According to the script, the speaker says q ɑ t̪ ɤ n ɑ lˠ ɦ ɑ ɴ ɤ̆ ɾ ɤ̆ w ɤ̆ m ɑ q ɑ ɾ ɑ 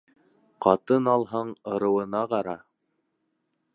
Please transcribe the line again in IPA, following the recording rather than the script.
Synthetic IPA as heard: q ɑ t̪ ɤ n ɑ lˠ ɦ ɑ ɴ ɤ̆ ɾ ɤ̆ w ɤ̆ n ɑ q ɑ ɾ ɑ